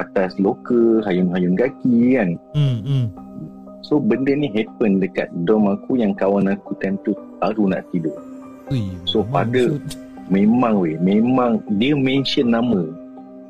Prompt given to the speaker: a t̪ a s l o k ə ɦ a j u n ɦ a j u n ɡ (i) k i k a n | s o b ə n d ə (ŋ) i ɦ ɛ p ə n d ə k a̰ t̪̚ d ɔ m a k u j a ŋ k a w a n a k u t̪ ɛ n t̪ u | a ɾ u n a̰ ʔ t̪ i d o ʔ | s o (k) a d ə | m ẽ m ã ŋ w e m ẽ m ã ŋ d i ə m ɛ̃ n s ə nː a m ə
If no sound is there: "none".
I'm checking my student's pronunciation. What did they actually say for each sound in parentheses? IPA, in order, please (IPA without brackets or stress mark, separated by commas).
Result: a, n, p